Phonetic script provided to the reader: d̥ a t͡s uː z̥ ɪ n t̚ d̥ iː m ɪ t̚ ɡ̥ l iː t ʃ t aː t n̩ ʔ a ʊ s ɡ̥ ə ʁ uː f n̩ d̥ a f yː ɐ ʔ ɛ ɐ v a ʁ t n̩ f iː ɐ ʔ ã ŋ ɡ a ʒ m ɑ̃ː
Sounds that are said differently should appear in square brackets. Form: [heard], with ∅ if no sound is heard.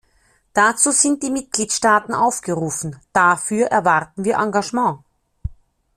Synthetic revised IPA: d̥ a t͡s uː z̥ ɪ n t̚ d̥ iː m ɪ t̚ ɡ̥ l iː t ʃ t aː t n̩ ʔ a ʊ [f] ɡ̥ ə ʁ uː f n̩ d̥ a f yː ɐ ʔ ɛ ɐ v a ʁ t n̩ [v] iː ɐ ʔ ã ŋ ɡ a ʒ m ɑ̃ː